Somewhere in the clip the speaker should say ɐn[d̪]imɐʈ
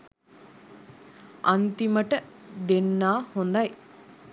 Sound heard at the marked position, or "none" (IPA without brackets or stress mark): t̪